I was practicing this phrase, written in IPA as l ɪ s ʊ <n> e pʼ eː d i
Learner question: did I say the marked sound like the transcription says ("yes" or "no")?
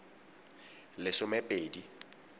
no